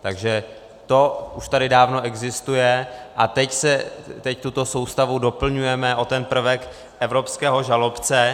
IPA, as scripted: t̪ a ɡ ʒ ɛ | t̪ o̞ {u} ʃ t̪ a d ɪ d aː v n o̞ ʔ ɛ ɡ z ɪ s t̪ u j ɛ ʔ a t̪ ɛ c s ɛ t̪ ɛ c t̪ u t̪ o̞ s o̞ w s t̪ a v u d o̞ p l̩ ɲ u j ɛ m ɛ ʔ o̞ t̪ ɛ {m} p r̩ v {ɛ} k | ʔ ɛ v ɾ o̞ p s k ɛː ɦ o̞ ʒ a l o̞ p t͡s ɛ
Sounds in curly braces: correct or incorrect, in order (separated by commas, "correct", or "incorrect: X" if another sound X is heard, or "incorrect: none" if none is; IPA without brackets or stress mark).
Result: correct, incorrect: n, correct